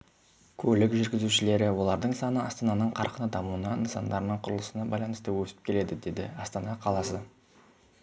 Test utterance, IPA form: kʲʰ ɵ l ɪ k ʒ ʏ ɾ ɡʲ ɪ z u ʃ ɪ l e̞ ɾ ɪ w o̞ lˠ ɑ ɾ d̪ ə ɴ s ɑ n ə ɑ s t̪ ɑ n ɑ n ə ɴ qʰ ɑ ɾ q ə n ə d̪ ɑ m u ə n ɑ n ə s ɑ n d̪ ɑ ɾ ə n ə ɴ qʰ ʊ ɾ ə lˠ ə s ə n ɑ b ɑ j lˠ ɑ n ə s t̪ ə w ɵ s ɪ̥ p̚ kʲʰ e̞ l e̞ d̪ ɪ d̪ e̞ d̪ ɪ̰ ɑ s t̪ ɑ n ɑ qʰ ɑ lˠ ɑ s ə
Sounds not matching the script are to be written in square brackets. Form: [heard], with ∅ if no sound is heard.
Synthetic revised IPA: kʲʰ ɵ l ɪ k ʒ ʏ ɾ ɡʲ ɪ z u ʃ ɪ l e̞ ɾ ɪ w o̞ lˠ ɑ ɾ d̪ ə ɴ s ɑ n ə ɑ s t̪ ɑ n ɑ n ə ɴ qʰ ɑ ɾ q ə n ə d̪ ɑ m u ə n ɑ n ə s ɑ n d̪ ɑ ɾ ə n ə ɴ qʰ ʊ ɾ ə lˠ ə s ə n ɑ b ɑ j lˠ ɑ n ə s t̪ ə w ɵ s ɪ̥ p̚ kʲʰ e̞ l e̞ d̪ ɪ d̪ e̞ d̪ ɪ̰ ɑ s t̪ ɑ n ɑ qʰ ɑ lˠ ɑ s ə

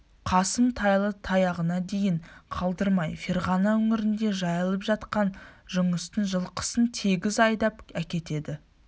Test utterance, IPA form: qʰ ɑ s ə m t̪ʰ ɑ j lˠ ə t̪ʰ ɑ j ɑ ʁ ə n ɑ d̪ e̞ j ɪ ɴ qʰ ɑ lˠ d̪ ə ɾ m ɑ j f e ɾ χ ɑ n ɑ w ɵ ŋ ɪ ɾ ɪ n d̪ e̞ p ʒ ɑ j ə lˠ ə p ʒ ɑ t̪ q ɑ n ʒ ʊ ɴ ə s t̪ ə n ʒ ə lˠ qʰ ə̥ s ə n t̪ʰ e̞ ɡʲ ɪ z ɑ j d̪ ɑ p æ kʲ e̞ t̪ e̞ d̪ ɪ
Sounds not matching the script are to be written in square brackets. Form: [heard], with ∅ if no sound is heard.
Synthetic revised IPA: qʰ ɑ s ə m t̪ʰ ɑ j lˠ ə t̪ʰ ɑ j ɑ ʁ ə n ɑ d̪ e̞ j ɪ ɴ qʰ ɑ lˠ d̪ ə ɾ m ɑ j f e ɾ [ʁ] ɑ n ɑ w ɵ ŋ ɪ ɾ ɪ n d̪ e̞ [∅] ʒ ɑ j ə lˠ ə p ʒ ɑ t̪ q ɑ n ʒ ʊ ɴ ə s t̪ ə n ʒ ə lˠ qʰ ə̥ s ə n t̪ʰ e̞ ɡʲ ɪ z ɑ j d̪ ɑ p æ kʲ e̞ t̪ e̞ d̪ ɪ

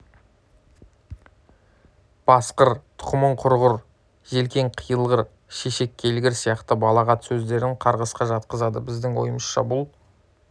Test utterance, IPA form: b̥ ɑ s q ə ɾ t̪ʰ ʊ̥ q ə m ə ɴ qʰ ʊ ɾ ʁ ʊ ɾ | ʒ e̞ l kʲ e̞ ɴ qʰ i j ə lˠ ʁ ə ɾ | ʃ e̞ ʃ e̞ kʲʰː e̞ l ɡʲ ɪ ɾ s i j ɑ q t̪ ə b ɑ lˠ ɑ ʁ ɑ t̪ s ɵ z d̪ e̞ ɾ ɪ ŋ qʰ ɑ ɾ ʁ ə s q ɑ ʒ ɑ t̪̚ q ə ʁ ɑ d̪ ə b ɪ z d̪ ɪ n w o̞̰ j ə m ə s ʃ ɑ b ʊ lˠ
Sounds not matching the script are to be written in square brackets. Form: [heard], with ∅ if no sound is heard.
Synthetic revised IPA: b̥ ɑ s q ə ɾ t̪ʰ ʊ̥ q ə m ə ɴ qʰ ʊ ɾ ʁ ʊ ɾ | ʒ e̞ l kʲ e̞ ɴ qʰ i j ə lˠ ʁ ə ɾ | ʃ e̞ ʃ e̞ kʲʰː e̞ l ɡʲ ɪ ɾ s i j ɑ q t̪ ə b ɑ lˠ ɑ ʁ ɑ t̪ s ɵ z d̪ e̞ ɾ ɪ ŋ qʰ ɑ ɾ ʁ ə s q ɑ ʒ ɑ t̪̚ q ə [z] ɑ d̪ ə b ɪ z d̪ ɪ [ŋ] w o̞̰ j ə m ə s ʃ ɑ b ʊ lˠ

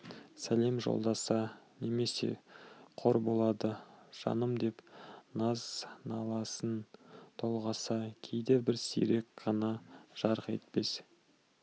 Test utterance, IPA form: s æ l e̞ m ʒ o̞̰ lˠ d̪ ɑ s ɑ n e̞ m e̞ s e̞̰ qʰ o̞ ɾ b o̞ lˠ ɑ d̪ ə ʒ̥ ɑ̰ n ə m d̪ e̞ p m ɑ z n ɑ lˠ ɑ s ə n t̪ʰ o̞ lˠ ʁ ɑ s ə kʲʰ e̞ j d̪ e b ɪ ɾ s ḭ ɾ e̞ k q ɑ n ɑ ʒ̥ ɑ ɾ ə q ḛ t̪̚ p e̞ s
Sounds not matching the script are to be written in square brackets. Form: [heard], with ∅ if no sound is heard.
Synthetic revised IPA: s æ l e̞ m ʒ o̞̰ lˠ d̪ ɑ s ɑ n e̞ m e̞ s e̞̰ qʰ o̞ ɾ b o̞ lˠ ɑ d̪ ə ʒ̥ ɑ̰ n ə m d̪ e̞ p [n] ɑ z n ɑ lˠ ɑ s ə n t̪ʰ o̞ lˠ ʁ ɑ s [ɑ] kʲʰ e̞ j d̪ e b ɪ ɾ s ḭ ɾ e̞ k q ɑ n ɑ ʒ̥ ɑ ɾ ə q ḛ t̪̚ p e̞ s

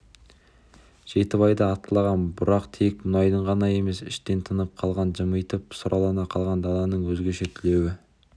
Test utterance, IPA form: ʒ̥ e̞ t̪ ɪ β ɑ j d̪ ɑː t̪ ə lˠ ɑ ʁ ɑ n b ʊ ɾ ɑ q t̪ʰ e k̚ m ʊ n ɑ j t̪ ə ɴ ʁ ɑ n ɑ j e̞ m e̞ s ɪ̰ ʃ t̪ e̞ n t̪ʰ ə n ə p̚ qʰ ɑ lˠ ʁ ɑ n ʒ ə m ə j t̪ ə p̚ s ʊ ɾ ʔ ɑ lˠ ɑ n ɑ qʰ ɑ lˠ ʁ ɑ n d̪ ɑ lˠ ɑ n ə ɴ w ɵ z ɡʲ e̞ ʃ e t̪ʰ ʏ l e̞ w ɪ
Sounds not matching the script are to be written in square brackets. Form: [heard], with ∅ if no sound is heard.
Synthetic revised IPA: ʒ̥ e̞ t̪ ɪ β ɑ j d̪ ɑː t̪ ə lˠ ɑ ʁ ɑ n b ʊ ɾ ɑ q t̪ʰ e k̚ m ʊ n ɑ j [d̪] ə ɴ ʁ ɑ n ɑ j e̞ m e̞ s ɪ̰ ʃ t̪ e̞ n t̪ʰ ə n ə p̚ qʰ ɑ lˠ ʁ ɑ n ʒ ə m ə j t̪ ə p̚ s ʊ ɾ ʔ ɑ lˠ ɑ n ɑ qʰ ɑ lˠ ʁ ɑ n d̪ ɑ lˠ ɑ n ə ɴ w ɵ z ɡʲ e̞ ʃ e t̪ʰ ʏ l e̞ w ɪ

